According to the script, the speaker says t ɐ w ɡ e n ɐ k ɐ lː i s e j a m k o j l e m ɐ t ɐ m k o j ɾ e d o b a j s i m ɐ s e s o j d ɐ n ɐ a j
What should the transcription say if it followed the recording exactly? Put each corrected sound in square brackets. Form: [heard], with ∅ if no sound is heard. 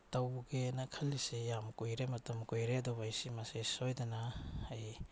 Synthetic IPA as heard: t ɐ w ɡ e n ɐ [kʰ] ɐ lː i s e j a m k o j [ɾ] e m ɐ t ɐ m k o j ɾ e d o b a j s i m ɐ s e s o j d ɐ n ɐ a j